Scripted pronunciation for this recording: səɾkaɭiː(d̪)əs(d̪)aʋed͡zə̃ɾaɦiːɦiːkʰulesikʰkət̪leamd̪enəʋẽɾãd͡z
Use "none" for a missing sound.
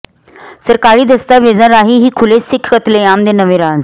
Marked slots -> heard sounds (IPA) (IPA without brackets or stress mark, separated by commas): d̪, t̪